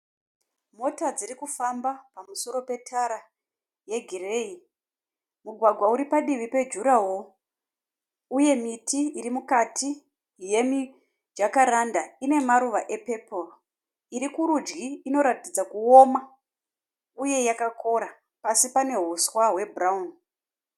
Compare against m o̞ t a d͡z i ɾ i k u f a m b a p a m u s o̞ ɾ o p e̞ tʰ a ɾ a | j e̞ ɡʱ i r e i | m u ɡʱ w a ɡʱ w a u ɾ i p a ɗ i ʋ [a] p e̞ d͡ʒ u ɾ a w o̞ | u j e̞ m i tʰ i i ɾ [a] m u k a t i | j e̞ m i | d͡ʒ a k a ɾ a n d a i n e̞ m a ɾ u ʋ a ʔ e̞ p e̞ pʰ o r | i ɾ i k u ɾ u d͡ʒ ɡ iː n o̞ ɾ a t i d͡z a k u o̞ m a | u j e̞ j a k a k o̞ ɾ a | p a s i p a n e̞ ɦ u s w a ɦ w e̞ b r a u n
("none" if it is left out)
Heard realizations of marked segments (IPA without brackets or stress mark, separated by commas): i, i